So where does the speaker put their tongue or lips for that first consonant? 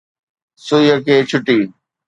tongue tip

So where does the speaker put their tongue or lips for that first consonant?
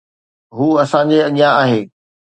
throat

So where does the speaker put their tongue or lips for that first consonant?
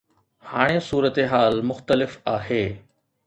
throat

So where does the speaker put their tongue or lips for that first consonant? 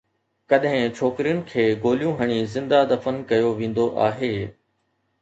velum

